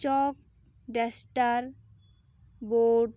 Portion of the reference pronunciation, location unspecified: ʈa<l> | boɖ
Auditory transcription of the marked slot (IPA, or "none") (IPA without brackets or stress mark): ɾ